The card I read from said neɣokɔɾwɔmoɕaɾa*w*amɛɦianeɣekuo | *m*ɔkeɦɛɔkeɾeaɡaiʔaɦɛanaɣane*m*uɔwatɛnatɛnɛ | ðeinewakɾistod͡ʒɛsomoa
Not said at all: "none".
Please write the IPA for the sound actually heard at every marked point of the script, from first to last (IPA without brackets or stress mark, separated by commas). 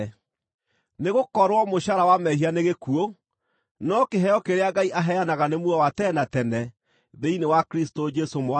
w, n, m